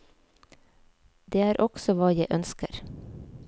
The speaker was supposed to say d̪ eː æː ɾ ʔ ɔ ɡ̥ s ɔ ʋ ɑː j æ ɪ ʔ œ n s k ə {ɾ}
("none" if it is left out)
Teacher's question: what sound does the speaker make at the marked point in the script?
ɾ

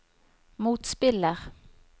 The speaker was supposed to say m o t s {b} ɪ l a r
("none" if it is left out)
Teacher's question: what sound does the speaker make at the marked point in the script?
p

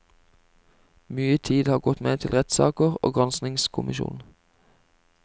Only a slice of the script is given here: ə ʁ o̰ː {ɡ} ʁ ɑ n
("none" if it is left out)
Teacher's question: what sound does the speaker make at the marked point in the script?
ɡ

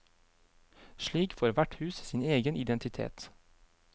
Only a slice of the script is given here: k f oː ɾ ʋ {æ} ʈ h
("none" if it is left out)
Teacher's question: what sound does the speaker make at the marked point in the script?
æ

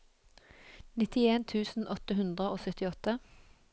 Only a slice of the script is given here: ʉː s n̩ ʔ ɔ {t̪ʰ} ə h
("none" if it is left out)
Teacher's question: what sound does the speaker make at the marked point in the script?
t̪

